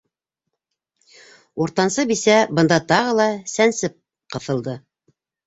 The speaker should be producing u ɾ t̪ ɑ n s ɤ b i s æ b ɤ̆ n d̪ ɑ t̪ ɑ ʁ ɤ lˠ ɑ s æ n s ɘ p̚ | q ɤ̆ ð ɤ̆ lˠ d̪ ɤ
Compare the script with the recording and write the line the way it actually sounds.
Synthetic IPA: u ɾ t̪ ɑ n s ɤ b i s æ b ɤ̆ n d̪ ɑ t̪ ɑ ʁ ɤ lˠ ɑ s æ n s ɘ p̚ | q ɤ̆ θ ɤ̆ lˠ d̪ ɤ